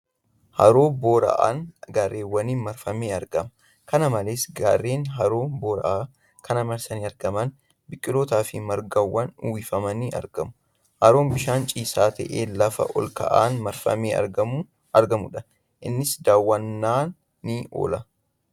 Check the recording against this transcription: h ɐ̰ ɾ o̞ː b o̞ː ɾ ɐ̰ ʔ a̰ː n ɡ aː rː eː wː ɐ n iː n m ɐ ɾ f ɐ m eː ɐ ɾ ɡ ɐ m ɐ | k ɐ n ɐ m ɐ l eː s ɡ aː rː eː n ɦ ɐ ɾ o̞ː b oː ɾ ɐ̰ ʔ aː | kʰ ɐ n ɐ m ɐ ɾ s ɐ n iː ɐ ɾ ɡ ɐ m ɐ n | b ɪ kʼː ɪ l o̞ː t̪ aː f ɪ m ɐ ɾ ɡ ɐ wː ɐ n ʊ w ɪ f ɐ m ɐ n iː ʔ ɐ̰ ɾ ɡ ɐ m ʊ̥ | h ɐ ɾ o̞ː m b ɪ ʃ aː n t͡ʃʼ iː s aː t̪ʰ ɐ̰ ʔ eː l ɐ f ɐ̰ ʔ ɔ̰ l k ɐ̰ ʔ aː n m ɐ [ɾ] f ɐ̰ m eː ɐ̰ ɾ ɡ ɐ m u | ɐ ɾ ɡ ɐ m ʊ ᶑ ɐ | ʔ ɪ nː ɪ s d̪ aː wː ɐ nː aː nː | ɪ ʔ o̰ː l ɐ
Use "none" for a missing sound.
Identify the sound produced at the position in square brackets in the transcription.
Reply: ɾ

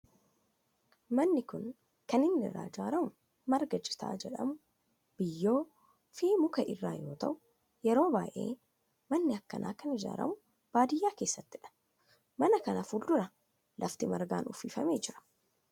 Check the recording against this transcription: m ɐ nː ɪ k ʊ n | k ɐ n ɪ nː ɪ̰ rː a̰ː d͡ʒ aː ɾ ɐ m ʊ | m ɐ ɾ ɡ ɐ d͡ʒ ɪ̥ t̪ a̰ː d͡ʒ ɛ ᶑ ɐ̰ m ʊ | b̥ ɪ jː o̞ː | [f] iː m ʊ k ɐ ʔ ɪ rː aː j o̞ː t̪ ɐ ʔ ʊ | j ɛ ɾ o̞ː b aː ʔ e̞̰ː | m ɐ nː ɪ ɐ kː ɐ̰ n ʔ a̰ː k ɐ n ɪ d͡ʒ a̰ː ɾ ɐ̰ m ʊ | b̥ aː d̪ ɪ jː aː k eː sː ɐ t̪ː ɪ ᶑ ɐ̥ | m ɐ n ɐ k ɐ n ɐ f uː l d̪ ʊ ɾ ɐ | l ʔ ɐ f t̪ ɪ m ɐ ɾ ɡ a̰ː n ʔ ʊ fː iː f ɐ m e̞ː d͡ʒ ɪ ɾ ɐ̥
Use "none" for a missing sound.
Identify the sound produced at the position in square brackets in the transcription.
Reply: f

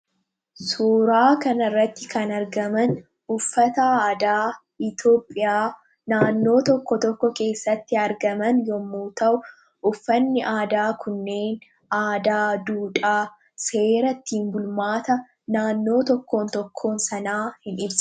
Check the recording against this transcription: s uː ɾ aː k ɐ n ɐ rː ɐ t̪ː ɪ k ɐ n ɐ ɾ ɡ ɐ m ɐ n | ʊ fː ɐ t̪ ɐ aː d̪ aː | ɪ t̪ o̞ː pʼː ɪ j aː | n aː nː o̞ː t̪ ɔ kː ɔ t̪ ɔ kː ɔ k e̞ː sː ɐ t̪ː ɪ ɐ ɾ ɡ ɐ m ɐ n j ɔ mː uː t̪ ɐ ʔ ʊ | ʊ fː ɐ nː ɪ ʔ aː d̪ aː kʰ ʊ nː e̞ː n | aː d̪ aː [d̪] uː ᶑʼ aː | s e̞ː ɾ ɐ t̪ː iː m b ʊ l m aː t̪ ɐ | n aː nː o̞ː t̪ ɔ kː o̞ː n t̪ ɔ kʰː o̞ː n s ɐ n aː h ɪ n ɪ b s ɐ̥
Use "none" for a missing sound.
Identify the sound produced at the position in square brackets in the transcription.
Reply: d̪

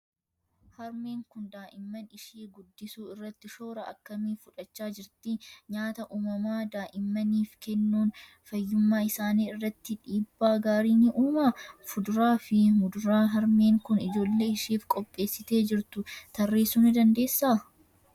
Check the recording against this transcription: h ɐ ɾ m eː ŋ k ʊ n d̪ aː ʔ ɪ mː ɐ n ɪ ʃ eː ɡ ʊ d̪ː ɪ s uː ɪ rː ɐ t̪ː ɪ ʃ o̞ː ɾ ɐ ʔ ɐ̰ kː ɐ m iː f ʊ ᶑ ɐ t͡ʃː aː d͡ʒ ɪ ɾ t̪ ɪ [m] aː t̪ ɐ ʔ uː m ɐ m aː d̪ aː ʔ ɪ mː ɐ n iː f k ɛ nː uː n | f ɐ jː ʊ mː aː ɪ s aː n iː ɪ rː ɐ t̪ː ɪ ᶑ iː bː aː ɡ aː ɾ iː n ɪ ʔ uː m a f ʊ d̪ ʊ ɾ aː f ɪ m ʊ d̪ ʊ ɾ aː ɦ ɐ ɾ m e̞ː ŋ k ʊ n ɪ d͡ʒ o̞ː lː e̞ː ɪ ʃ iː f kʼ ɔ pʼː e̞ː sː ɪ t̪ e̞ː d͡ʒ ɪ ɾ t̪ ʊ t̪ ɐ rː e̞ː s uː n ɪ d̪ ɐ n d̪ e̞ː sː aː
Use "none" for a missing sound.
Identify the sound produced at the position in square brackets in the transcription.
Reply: ɲ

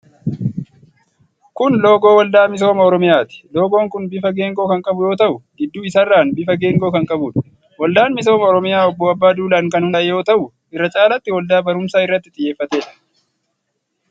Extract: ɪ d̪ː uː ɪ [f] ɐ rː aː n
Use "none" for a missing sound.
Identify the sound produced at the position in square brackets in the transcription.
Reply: s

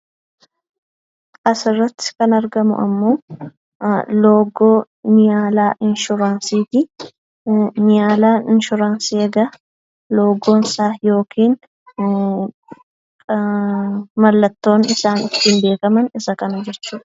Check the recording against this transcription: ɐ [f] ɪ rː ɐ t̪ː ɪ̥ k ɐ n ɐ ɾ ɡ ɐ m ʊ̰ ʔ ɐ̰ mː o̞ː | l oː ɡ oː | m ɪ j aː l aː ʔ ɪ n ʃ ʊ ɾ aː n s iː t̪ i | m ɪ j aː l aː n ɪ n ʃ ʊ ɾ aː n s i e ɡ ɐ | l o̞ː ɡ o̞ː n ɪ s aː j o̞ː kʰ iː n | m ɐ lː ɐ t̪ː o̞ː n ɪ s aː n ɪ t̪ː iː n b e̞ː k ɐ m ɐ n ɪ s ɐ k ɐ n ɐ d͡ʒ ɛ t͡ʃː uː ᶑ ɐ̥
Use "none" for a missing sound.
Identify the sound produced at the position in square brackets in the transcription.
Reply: s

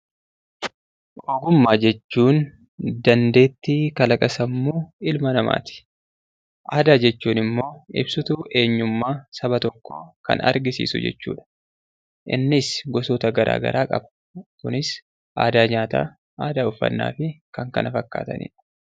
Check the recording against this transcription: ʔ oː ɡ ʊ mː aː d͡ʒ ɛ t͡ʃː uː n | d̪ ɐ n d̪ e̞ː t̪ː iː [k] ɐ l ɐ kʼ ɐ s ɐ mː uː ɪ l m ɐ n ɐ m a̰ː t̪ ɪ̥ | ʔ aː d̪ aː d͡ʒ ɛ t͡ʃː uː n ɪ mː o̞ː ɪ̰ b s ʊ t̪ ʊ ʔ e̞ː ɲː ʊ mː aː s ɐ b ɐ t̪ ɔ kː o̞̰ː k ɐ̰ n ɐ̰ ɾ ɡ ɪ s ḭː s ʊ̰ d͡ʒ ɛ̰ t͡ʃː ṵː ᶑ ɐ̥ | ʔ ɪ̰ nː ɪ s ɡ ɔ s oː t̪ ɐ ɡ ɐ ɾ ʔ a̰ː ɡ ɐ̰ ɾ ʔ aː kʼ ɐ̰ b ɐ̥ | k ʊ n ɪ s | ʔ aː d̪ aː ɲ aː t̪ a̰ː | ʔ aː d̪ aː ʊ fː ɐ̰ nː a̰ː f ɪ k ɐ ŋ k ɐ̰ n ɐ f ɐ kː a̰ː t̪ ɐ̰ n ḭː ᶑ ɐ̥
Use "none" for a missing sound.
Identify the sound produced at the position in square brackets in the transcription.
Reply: k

